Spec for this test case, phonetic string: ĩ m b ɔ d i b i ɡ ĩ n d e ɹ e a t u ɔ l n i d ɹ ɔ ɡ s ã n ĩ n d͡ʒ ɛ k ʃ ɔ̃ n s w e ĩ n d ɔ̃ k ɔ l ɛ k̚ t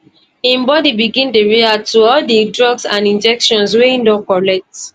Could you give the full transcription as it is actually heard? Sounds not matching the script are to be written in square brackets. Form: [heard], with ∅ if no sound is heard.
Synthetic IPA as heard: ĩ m b ɔ d i b i ɡ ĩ n d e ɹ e a t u ɔ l [d] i d ɹ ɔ ɡ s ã n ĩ n d͡ʒ ɛ k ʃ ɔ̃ n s w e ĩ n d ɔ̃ k ɔ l ɛ k̚ t